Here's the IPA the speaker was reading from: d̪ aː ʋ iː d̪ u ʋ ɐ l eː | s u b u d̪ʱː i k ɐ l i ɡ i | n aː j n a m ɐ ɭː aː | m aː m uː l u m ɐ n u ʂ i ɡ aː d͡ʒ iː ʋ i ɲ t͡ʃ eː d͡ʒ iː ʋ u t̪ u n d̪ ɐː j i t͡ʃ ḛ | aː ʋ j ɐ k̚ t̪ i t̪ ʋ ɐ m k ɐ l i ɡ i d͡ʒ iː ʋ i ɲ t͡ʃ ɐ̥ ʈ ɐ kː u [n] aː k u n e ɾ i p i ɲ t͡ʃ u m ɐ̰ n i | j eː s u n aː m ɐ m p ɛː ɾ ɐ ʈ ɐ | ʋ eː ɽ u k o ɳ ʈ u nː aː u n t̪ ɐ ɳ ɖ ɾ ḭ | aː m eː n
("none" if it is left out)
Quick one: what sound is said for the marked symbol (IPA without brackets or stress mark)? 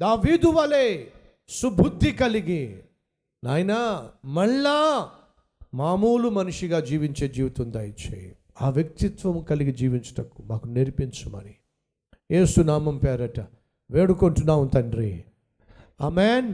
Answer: m